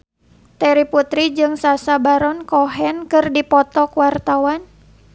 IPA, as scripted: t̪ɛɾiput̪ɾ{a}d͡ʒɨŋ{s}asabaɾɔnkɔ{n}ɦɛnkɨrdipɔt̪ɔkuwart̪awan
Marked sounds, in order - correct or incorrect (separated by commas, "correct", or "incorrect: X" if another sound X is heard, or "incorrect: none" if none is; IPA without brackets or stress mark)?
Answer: incorrect: i, correct, incorrect: none